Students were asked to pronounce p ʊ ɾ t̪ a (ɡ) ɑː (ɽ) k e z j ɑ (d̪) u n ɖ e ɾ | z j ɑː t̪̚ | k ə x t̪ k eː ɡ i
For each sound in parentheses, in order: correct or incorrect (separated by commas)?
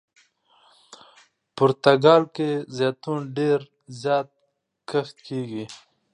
correct, incorrect, incorrect